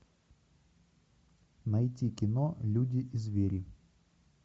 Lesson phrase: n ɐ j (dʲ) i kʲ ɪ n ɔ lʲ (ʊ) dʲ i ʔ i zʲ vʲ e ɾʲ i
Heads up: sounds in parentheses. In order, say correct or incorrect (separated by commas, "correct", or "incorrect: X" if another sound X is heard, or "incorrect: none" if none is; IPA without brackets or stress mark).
incorrect: tʲ, incorrect: u